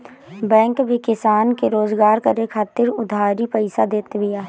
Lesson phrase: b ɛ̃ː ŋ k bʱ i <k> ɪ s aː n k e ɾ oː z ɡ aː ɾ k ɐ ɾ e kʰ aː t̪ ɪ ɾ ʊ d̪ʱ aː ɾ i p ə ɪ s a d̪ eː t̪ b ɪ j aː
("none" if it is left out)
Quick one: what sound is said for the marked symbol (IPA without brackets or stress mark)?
k